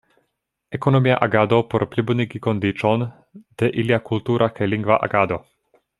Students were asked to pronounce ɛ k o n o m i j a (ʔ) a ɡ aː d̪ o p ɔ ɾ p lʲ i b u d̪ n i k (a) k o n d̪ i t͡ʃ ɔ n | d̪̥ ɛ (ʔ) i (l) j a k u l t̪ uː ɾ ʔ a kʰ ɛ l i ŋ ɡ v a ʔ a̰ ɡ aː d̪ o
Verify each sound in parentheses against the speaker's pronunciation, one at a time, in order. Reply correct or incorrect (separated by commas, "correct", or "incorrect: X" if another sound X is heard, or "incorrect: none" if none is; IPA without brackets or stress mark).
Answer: correct, incorrect: i, correct, correct